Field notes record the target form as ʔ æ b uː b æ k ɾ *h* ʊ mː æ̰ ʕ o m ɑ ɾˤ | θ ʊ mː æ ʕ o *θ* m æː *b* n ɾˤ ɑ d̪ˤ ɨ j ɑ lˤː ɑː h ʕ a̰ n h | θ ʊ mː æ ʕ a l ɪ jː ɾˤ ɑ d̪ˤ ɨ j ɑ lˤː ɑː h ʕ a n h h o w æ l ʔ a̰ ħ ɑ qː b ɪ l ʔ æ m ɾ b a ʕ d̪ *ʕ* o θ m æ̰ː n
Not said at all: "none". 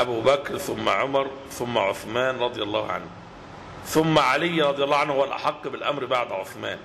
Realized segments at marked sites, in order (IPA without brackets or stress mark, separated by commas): θ, θ, none, ʕ